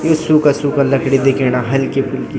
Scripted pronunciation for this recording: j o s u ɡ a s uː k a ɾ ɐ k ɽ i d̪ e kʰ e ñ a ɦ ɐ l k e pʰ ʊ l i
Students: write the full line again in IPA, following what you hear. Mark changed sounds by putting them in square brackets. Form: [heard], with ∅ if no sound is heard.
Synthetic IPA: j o s u [k] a s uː k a [l] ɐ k ɽ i d̪ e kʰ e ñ a ɦ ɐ l k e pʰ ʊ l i